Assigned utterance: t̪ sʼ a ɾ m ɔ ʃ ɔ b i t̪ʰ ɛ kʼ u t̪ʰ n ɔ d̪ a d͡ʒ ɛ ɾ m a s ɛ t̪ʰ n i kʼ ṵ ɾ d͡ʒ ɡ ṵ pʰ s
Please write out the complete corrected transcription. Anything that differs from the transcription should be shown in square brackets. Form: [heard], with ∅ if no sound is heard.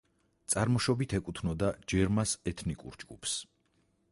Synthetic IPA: t̪ sʼ a ɾ m ɔ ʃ ɔ b i t̪ʰ ɛ kʼ u t̪ʰ n ɔ d̪ a d͡ʒ ɛ ɾ m a s ɛ t̪ʰ n i kʼ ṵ ɾ d͡ʒ ɡ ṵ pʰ s